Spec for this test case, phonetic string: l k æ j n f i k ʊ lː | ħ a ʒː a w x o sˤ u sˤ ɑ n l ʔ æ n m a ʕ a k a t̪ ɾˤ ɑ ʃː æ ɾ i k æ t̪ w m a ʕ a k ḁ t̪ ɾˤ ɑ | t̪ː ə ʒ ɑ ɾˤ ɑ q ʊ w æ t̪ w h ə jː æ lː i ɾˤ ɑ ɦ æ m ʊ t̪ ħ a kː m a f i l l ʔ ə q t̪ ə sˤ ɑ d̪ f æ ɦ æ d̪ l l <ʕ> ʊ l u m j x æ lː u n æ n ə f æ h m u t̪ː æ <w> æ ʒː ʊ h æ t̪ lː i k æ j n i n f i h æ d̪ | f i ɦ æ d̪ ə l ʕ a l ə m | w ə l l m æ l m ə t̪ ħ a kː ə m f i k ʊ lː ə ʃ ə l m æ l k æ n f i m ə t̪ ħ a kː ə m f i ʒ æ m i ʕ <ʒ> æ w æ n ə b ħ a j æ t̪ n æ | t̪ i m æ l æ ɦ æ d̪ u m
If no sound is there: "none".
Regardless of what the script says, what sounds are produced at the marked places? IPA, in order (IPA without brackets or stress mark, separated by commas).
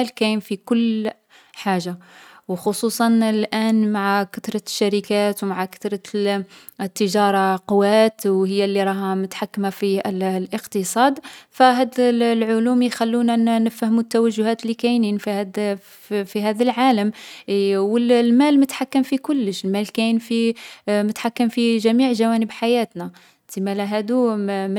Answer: ʕ, w, ʒ